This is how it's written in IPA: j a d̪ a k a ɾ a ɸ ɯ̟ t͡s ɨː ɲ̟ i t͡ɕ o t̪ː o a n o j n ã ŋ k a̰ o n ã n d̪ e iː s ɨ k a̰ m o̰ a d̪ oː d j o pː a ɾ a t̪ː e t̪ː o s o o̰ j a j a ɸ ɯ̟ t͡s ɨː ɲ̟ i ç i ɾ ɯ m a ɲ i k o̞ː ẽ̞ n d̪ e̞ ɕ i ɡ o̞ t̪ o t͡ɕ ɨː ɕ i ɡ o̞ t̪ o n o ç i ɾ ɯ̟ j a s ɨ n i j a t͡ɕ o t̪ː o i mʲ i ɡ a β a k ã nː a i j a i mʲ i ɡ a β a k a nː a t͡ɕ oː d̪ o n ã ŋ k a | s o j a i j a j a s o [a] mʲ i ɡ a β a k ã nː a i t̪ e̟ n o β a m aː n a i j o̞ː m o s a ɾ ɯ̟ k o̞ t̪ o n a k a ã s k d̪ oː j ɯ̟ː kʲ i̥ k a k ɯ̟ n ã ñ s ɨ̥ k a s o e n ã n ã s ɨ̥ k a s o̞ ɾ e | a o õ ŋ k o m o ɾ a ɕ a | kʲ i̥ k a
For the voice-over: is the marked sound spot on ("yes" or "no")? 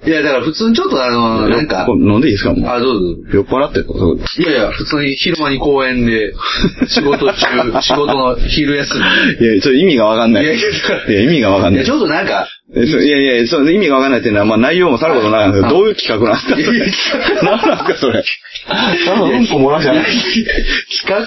no